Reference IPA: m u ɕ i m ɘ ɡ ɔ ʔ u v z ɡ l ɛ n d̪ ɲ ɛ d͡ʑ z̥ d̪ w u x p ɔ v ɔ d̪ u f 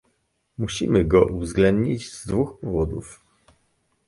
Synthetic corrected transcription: m u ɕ i m ɘ ɡ ɔ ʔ u v z ɡ l ɛ n d̪ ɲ i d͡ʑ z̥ d̪ v u x p ɔ v ɔ d̪ u f